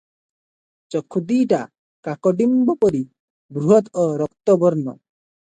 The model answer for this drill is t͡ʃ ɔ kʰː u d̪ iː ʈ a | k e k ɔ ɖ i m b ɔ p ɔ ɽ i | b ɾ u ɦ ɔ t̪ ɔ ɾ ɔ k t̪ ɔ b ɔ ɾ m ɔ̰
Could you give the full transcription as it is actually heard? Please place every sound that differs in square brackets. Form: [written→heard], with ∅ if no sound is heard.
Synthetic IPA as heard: t͡ʃ ɔ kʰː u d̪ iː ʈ a | k [e→a] k ɔ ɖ i m b ɔ p ɔ [ɽ→ɾ] i | b ɾ u ɦ ɔ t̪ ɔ ɾ ɔ k t̪ ɔ b ɔ ɾ [m→n] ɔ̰